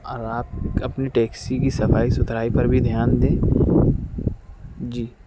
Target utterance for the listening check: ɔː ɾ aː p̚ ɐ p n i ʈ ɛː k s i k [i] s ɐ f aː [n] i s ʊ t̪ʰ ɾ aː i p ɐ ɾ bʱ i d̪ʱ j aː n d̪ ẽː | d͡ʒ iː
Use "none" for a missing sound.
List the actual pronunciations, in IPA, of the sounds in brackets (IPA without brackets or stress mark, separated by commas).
i, none